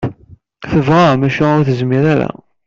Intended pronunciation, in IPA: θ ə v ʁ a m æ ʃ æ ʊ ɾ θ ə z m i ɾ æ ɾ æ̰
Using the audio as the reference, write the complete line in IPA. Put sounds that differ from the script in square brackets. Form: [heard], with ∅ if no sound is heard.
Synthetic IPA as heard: θ ə v ʁ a m æ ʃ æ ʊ ɾ θ ə z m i ɾ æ ɾ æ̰